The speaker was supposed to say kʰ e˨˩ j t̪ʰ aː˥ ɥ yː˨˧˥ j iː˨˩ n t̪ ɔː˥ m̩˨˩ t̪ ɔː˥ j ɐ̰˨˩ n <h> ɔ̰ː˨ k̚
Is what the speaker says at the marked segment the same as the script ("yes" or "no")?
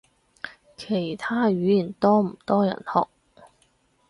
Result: yes